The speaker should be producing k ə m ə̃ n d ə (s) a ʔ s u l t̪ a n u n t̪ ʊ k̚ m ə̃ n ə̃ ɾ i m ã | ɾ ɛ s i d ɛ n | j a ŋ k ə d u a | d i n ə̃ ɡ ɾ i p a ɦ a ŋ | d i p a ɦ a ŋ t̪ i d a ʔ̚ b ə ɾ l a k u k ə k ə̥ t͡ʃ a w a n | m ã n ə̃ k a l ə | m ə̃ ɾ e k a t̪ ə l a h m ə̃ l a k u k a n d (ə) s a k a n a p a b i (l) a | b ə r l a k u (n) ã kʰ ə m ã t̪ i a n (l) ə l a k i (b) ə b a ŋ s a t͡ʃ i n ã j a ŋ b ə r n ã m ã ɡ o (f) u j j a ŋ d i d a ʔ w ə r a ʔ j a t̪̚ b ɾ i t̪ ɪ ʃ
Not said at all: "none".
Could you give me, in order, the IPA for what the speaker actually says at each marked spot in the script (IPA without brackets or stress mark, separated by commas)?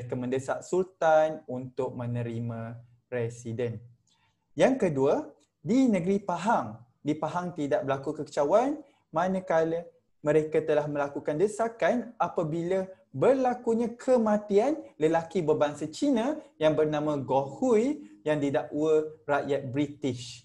s, ə, l, ɲ, l, b, h